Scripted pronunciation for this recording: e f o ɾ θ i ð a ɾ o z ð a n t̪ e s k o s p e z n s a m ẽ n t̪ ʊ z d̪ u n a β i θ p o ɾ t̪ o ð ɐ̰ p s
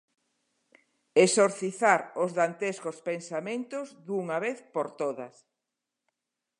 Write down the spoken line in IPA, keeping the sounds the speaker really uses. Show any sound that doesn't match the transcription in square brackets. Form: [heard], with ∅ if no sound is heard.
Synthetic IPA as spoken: e [s] o ɾ θ i [θ] a ɾ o z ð a n t̪ e s k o s p e [∅] n s a m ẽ n t̪ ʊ z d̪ u [ŋ] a β [e] θ p o ɾ t̪ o ð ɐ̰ [∅] s